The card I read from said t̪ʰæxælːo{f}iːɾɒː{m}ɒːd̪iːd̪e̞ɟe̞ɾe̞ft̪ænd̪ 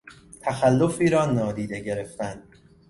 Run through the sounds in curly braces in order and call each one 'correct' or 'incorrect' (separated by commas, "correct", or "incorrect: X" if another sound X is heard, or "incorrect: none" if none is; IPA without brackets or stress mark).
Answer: correct, incorrect: n